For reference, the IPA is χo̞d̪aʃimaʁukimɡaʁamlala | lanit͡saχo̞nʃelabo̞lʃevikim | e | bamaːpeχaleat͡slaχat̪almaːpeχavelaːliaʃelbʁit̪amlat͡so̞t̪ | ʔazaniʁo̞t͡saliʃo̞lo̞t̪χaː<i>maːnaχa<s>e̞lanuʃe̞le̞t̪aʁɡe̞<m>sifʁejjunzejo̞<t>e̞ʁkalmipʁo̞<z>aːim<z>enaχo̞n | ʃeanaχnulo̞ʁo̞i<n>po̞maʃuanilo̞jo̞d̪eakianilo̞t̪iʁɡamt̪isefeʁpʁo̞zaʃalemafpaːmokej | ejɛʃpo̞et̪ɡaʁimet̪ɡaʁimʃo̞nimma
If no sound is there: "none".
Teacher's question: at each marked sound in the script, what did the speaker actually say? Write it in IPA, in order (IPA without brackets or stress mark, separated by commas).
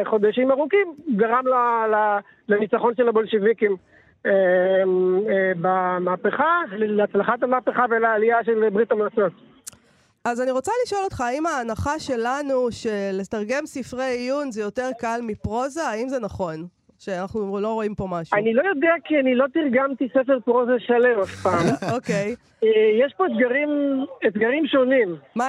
i, ʃ, m, t, z, z, m